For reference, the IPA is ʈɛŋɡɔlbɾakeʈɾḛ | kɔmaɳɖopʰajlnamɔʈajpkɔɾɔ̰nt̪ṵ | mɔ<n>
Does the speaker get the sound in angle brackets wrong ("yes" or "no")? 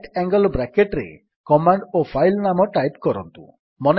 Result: no